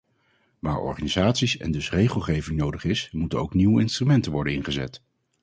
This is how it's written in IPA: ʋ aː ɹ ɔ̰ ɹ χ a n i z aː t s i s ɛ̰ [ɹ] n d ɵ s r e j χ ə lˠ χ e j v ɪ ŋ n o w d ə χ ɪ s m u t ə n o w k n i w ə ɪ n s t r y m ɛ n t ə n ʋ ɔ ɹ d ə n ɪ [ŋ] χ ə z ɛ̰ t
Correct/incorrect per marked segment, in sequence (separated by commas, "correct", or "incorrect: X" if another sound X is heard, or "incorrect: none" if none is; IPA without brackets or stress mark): incorrect: none, incorrect: n